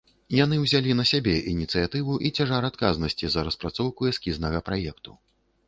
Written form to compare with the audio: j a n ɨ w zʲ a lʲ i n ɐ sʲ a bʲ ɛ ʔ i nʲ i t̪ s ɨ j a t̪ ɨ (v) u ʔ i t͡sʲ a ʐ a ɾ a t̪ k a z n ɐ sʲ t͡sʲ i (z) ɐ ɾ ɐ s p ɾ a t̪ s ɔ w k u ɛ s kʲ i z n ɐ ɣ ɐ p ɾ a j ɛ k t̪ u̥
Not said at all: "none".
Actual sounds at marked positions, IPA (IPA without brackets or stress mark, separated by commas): v, z